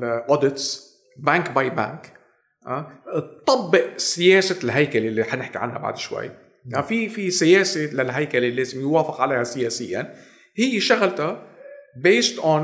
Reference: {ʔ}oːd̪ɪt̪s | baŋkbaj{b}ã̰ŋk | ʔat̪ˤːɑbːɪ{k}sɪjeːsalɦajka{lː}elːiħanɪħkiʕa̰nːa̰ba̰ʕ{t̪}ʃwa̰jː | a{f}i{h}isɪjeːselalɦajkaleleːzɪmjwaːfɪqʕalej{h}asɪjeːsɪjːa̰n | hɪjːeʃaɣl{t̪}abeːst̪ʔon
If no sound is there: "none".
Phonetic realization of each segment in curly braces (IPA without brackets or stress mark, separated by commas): ʔ, b, ʔ, l, d̪, f, f, h, t̪